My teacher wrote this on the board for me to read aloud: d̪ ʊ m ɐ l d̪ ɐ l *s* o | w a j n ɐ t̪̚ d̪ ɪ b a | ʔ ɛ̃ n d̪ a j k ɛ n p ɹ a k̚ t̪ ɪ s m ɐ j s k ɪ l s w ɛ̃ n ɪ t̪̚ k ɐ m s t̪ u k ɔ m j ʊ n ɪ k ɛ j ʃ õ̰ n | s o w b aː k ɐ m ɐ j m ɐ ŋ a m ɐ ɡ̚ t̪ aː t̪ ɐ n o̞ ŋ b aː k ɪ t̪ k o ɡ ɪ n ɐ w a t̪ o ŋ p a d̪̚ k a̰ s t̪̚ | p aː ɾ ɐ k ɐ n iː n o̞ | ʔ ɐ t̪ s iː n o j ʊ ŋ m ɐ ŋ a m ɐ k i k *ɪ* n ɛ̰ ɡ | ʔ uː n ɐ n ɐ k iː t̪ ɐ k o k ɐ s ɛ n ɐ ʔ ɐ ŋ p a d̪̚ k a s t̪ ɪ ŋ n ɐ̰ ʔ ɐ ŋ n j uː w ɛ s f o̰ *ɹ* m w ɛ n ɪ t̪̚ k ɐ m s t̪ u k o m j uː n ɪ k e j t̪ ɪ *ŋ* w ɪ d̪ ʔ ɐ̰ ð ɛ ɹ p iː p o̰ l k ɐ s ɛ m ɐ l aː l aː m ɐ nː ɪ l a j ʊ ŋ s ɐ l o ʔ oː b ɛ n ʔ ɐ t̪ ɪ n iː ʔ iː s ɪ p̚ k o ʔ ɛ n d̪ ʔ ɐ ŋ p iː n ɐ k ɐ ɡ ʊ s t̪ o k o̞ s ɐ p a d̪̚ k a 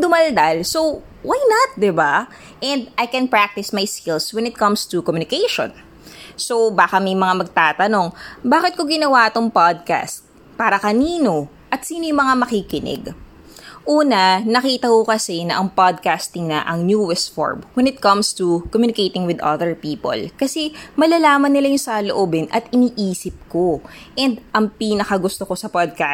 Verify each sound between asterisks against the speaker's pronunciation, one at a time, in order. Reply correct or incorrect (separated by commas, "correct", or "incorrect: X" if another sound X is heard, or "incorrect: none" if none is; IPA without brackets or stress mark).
correct, correct, correct, correct